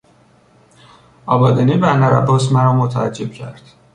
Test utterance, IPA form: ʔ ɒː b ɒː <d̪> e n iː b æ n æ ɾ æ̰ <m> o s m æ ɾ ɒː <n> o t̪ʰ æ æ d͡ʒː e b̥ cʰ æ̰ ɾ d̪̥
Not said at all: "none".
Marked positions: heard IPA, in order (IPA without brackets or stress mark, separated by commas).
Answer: d̪, b, m